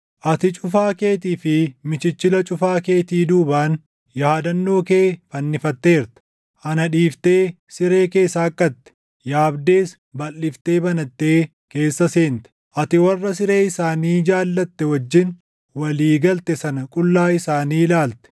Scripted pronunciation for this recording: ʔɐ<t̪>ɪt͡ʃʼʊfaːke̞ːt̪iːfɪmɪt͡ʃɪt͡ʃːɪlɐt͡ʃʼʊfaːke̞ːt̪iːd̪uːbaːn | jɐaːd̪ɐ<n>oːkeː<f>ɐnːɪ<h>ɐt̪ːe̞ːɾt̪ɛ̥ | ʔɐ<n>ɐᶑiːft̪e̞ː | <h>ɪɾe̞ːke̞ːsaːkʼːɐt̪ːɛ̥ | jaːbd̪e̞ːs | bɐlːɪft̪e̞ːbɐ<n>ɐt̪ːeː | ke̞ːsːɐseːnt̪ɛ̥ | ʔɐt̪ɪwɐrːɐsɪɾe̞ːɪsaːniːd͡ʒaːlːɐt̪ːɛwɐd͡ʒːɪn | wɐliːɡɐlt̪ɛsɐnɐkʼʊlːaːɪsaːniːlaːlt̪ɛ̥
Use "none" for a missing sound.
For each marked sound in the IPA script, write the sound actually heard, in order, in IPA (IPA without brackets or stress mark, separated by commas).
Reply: t̪, nː, f, f, n, s, n